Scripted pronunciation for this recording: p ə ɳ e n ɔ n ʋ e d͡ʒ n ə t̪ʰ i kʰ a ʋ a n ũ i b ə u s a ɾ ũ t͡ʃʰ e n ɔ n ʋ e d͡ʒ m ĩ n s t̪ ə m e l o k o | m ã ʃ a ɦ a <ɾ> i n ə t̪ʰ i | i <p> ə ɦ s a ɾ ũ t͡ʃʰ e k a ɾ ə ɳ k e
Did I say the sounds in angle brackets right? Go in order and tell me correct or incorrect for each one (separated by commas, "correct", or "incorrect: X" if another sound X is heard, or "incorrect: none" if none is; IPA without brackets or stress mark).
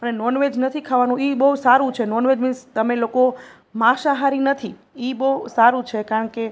correct, incorrect: b